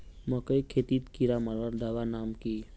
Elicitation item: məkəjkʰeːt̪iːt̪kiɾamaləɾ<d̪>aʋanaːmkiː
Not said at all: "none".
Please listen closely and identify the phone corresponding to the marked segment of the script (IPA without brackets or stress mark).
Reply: d̪